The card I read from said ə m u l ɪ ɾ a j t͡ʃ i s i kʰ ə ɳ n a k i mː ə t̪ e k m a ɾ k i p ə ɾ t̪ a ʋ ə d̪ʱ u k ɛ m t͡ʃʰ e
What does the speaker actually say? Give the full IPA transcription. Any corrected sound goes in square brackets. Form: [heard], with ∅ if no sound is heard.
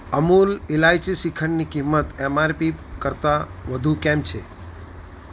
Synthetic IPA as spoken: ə m u l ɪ [l] a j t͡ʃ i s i kʰ ə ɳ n [i] k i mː ə t̪ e [∅] m a ɾ [p] i [k] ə ɾ t̪ a ʋ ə d̪ʱ u k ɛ m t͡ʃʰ e

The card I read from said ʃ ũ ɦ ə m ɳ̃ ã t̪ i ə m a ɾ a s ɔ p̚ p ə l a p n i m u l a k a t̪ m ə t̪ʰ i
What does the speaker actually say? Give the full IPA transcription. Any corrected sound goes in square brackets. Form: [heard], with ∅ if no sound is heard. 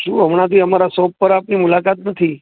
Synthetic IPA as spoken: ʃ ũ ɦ ə m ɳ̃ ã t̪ i ə m a ɾ a s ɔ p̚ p ə [ɾ] a p n i m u l a k a t̪ [n] ə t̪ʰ i

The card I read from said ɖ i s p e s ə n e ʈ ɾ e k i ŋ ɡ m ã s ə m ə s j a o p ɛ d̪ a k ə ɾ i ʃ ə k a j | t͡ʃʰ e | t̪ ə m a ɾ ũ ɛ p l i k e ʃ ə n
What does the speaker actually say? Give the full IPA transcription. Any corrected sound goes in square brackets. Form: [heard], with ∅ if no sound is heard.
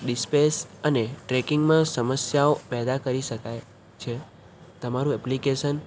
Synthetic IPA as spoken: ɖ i s p e s ə n e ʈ ɾ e k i ŋ ɡ m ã s ə m ə s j a o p ɛ d̪ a k ə ɾ i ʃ ə k a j | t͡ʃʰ e | t̪ ə m a ɾ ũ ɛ p l i k e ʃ ə n

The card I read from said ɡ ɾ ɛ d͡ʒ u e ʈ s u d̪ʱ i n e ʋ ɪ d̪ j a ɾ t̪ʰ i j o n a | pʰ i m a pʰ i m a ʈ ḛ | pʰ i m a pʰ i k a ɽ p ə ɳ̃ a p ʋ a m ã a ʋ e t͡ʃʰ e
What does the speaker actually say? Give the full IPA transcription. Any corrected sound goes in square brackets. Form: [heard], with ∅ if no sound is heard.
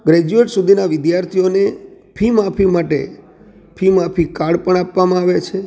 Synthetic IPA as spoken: ɡ ɾ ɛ d͡ʒ u e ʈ s u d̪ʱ i n [a] ʋ ɪ d̪ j a ɾ t̪ʰ i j o n [e] | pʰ i m a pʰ i m a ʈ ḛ | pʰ i m a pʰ i k a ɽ p ə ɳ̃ a p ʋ a m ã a ʋ e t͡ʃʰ e

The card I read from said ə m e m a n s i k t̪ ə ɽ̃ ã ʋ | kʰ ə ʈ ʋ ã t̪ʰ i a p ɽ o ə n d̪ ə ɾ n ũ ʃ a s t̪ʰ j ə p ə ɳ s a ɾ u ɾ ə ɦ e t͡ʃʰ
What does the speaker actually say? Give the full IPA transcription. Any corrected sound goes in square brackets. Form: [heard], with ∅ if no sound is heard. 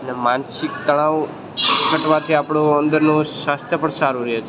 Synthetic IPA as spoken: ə [n] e m a n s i k t̪ ə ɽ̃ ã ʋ | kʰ ə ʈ ʋ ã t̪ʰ i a p ɽ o ə n d̪ ə ɾ n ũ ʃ a s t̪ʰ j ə p ə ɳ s a ɾ u ɾ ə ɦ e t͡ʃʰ

